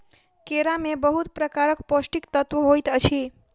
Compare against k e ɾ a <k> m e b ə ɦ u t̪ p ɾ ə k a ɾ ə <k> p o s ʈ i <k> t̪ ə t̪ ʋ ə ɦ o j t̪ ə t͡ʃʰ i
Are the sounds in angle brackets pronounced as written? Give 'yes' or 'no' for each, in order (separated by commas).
no, yes, yes